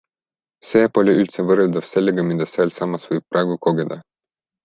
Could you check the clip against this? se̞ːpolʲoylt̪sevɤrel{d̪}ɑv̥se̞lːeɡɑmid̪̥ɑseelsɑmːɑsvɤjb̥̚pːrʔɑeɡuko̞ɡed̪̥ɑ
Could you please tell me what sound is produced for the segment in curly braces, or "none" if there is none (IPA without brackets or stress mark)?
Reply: d̪